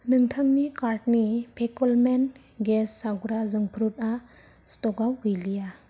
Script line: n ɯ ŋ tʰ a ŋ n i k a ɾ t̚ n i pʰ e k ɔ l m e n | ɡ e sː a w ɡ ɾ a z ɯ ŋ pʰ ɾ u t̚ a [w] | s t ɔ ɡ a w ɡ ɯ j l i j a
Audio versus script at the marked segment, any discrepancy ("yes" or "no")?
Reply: yes